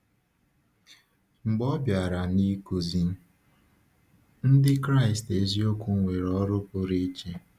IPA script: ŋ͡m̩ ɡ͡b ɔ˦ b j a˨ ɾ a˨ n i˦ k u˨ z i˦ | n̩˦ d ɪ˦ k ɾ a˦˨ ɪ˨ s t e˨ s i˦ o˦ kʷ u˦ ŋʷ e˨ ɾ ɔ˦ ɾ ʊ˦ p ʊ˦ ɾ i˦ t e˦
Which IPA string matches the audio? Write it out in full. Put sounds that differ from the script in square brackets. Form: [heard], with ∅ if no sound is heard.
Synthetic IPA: ŋ͡m̩ ɡ͡b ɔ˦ b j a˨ ɾ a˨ n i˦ k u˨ z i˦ | n̩˦ d ɪ˦ k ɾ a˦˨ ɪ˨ s t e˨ [z] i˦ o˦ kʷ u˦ ŋʷ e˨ ɾ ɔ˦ ɾ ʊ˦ p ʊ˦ ɾ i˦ [t͡ʃ] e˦

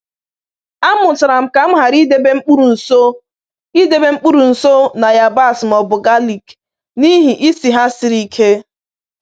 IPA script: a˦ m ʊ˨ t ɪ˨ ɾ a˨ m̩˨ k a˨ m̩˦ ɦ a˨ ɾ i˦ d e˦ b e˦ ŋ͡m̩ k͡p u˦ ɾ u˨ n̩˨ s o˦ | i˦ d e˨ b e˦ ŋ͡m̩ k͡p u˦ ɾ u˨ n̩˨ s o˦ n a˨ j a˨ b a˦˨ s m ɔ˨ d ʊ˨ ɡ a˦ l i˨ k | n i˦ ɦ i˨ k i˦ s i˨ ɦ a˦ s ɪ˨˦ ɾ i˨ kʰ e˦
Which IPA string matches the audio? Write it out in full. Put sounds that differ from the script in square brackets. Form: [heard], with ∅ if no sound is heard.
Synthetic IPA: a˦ m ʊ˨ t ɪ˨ ɾ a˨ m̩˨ k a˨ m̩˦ ɦ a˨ ɾ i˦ d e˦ b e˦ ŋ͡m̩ k͡p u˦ ɾ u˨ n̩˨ s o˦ | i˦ d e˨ b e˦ ŋ͡m̩ k͡p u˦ ɾ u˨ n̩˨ s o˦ n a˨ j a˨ b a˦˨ s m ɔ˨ [b] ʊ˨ ɡ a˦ l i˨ k | n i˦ ɦ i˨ [ʔ] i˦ s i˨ ɦ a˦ s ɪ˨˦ ɾ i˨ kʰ e˦

